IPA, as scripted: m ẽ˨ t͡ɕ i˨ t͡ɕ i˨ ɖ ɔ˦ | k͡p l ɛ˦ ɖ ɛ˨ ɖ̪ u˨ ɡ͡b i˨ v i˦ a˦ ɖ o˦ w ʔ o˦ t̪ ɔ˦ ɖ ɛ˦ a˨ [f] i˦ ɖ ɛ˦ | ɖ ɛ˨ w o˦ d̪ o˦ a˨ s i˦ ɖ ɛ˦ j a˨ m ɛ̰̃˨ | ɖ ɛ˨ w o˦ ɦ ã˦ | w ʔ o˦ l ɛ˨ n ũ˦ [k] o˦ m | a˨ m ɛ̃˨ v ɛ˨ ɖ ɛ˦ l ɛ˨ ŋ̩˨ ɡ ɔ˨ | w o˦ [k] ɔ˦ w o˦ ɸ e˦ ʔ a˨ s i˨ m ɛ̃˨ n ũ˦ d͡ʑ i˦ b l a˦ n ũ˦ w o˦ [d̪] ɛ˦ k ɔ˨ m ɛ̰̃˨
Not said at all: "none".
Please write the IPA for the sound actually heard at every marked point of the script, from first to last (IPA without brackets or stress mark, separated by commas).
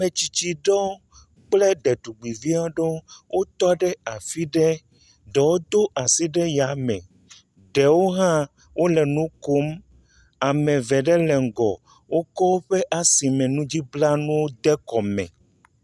f, k, k, d̪